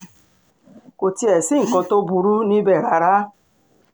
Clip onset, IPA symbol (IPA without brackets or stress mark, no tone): k